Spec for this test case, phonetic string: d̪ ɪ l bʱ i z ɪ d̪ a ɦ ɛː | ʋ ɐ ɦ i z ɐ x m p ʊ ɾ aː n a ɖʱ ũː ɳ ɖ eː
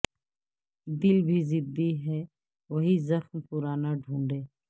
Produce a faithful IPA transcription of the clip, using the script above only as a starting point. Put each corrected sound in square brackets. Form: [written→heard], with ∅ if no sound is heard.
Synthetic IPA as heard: d̪ ɪ l bʱ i z ɪ d̪ [a→i] ɦ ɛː | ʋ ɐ ɦ i z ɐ x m p ʊ ɾ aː n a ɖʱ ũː ɳ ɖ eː